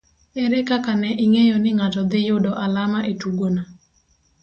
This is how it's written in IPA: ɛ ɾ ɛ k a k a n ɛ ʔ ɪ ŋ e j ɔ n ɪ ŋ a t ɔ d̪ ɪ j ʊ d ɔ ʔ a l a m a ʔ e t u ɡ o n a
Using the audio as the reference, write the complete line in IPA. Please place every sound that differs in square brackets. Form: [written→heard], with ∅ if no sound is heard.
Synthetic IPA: ɛ ɾ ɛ k a k a n ɛ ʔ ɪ ŋ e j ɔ n ɪ ŋ a t ɔ d̪ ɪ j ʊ d ɔ ʔ a l a m a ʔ e t u ɡ o n a